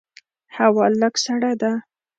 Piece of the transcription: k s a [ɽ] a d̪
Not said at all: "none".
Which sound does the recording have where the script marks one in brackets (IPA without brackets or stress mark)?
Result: ɽ